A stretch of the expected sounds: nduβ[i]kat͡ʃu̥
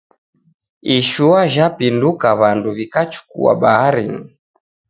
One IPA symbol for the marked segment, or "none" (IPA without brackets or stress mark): i